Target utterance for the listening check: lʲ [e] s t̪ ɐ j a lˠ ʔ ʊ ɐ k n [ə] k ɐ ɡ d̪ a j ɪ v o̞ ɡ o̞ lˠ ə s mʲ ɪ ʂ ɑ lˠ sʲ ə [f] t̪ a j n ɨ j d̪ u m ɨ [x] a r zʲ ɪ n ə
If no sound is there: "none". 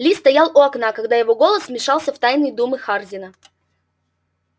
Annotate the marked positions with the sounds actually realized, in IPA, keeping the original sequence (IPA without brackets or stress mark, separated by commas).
i, a, f, x